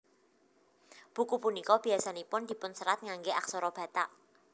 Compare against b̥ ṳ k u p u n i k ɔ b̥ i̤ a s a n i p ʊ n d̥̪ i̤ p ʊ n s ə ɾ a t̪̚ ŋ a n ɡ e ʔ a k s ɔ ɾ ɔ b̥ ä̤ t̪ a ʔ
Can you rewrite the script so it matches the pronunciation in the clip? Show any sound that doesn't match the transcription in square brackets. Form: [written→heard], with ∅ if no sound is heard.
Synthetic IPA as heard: b̥ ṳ k u p u n i k ɔ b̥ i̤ a s a n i p ʊ n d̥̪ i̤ p ʊ n s ə ɾ a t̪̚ ŋ a [n→ŋ] ɡ e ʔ a k s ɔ ɾ ɔ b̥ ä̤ t̪ a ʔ

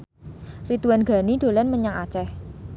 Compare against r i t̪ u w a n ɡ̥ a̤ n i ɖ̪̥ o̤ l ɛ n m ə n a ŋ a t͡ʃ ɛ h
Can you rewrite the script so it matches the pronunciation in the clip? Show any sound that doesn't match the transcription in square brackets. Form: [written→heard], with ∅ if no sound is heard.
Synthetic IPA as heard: r i t̪ u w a n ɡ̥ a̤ n i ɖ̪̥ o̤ l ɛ n m ə [n→ɲ] a ŋ a t͡ʃ ɛ h

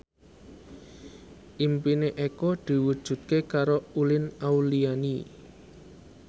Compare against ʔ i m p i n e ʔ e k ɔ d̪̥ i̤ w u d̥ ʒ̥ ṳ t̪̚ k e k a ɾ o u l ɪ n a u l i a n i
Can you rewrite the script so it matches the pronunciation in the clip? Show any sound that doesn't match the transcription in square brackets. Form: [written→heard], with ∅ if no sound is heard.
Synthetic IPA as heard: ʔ i m p i n e ʔ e k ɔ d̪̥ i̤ w u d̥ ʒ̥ ṳ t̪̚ k e k a ɾ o u l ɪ n a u l i a n i

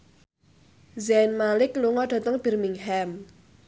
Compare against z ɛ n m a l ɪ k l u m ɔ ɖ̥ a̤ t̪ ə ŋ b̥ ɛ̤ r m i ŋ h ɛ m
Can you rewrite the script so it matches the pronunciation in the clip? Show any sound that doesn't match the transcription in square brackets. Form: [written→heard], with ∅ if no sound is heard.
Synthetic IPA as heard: z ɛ n m a l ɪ k l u [m→ŋ] ɔ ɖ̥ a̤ t̪ ə ŋ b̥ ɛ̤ r m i ŋ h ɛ m

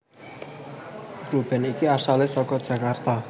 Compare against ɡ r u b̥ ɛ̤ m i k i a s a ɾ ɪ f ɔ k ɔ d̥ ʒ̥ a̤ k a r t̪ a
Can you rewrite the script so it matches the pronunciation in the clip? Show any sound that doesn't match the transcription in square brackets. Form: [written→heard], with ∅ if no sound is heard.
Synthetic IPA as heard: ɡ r u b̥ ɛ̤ [m→n] i k i a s a [ɾ→l] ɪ [f→s] ɔ k ɔ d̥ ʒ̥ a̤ k a r t̪ a

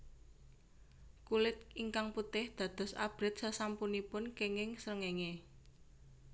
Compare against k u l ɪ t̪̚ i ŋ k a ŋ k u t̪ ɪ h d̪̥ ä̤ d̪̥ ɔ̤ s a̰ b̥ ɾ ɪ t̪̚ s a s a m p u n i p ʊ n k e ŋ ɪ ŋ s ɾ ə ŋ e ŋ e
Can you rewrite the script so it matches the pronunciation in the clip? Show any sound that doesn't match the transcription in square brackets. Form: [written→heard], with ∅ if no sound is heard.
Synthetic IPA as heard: k u l ɪ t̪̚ i ŋ k a ŋ [k→p] u t̪ ɪ h d̪̥ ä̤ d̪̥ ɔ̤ s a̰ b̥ ɾ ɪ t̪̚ s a s a m p u n i p ʊ n k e ŋ ɪ ŋ s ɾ ə ŋ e ŋ e

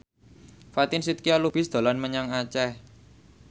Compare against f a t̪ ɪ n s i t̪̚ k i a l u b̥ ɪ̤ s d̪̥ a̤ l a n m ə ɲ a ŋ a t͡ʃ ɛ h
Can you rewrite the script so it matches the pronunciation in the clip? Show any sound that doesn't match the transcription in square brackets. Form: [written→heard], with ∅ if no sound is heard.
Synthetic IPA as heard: f a t̪ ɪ n s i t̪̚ k i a l u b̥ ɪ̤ s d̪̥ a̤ l a n m ə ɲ a ŋ a t͡ʃ ɛ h

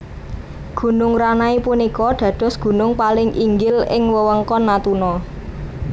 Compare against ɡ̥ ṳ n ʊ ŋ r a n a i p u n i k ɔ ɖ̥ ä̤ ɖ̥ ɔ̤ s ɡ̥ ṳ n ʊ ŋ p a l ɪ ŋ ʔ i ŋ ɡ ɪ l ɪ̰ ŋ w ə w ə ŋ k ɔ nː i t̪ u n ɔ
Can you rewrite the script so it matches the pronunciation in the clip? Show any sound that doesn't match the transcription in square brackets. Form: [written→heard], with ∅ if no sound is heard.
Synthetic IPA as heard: ɡ̥ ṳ n ʊ ŋ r a n a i p u n i k ɔ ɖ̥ ä̤ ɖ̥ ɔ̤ s ɡ̥ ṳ n ʊ ŋ p a l ɪ ŋ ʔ i ŋ ɡ ɪ l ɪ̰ ŋ w ə w ə ŋ k ɔ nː [i→a] t̪ u n ɔ

